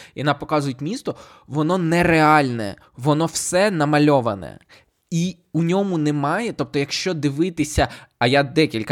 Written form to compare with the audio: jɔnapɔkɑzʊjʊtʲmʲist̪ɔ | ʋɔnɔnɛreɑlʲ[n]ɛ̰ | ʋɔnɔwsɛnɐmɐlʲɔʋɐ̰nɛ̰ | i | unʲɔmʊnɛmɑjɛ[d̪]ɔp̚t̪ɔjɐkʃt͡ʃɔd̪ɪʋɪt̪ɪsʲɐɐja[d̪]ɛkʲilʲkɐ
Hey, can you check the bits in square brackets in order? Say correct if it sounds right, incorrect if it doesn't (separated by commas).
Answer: correct, incorrect, correct